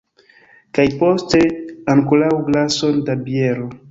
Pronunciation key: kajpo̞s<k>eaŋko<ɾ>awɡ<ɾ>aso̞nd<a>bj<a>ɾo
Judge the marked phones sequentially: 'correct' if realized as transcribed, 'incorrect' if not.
incorrect: t, incorrect: l, incorrect: l, correct, incorrect: e

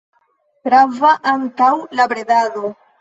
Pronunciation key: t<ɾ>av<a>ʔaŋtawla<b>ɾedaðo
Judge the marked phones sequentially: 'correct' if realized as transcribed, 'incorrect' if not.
correct, correct, correct

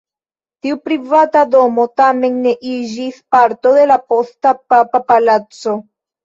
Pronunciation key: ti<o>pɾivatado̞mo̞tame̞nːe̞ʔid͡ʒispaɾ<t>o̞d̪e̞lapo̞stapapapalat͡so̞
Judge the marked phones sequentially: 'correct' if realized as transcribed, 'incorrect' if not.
incorrect: u, correct

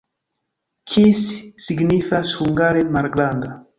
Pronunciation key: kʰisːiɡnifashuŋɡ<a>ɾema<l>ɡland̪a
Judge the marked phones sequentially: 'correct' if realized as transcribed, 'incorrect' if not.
correct, incorrect: ɾ

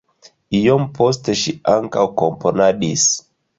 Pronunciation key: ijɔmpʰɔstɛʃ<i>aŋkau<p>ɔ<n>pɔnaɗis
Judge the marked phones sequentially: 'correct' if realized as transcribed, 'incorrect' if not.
correct, incorrect: k, incorrect: m

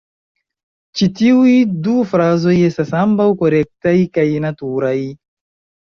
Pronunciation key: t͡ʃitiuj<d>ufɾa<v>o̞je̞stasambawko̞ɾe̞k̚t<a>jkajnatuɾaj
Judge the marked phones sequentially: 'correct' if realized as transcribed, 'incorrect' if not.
correct, incorrect: z, correct

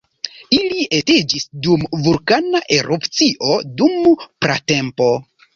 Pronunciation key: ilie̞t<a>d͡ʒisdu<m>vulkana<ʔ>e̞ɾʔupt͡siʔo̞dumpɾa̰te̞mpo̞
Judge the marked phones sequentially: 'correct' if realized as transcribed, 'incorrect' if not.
incorrect: e, correct, correct

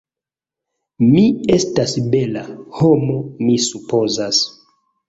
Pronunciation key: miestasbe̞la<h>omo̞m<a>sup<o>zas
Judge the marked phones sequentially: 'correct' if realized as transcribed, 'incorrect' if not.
correct, incorrect: i, correct

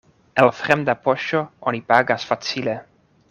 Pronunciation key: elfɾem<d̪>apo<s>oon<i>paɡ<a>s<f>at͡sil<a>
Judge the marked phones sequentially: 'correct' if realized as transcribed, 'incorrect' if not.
correct, incorrect: ʃ, correct, correct, correct, incorrect: e

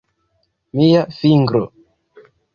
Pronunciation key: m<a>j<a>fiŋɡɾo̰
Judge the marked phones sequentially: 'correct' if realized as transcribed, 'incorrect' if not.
incorrect: i, correct

